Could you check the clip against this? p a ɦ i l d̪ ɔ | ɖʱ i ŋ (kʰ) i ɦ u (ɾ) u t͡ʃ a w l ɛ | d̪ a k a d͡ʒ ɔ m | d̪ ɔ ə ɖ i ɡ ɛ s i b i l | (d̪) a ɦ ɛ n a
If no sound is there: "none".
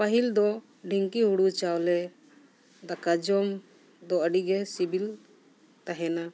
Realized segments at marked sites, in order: k, ɽ, t̪

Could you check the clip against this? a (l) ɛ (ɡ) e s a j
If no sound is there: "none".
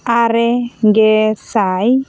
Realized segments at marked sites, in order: ɾ, ɡ

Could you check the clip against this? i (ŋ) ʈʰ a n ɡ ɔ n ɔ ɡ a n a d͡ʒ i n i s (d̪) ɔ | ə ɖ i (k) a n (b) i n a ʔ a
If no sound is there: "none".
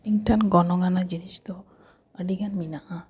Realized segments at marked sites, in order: ŋ, t̪, ɡ, m

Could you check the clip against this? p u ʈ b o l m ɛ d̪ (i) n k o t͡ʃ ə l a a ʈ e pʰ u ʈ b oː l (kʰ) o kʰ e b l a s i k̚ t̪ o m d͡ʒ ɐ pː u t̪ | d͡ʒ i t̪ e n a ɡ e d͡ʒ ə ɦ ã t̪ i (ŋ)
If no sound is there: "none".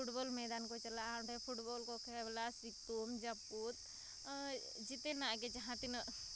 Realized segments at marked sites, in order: a, k, n

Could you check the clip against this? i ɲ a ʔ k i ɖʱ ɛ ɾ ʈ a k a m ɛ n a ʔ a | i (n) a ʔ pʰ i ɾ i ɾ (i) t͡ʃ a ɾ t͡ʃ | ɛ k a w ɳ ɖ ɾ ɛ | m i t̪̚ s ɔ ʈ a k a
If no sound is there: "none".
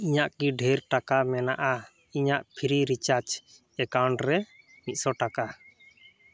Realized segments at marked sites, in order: ɲ, i

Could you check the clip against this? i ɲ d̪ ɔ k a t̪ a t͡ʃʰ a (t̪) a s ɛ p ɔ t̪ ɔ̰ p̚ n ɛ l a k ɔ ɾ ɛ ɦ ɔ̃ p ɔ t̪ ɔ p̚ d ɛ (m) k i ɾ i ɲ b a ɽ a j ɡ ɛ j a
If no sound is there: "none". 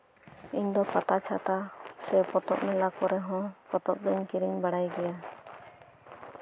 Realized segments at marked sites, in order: t̪, ɲ

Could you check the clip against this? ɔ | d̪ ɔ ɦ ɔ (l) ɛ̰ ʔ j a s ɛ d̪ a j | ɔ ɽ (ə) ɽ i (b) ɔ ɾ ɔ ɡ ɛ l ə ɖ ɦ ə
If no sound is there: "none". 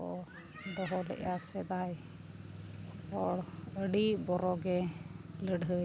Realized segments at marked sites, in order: l, ə, b

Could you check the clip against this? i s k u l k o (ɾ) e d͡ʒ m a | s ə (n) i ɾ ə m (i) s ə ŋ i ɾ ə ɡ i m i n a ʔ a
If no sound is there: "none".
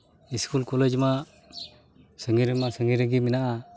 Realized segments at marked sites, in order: l, ŋ, a

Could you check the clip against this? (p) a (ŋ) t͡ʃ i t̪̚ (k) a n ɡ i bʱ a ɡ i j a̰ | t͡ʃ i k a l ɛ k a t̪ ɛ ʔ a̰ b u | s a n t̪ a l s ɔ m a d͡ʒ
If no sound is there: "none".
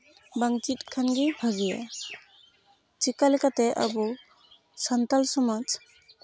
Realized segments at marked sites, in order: b, ŋ, kʰ

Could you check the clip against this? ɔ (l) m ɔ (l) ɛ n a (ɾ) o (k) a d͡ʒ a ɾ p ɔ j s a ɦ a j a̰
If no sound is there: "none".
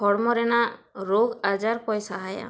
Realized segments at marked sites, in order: ɽ, ɾ, ɾ, ɡ

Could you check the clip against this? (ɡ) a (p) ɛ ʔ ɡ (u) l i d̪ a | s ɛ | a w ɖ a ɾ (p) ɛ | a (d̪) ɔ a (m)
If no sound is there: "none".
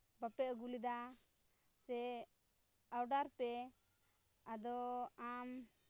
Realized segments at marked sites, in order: b, p, u, p, d̪, m

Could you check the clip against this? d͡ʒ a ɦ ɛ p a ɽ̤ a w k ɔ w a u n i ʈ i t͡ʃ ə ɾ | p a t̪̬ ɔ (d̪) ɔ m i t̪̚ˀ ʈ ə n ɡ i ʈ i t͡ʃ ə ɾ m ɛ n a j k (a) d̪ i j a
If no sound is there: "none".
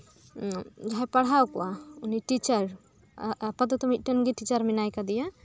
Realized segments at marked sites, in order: t̪, a

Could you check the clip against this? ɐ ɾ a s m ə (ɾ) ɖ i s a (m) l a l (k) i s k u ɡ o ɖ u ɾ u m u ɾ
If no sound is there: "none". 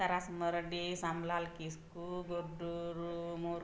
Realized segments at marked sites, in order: ɾ, m, k

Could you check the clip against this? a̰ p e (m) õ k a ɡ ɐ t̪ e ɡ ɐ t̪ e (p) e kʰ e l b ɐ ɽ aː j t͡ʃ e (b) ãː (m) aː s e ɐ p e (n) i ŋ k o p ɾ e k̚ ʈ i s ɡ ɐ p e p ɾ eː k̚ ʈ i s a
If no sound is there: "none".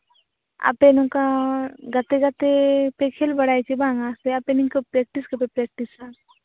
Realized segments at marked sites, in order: n, p, b, ŋ, n

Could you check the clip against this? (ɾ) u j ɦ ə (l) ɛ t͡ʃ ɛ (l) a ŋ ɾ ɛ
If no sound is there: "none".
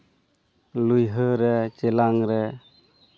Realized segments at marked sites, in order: l, ɾ, l

